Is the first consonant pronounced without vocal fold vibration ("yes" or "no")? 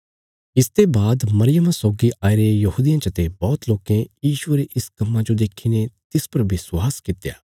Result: yes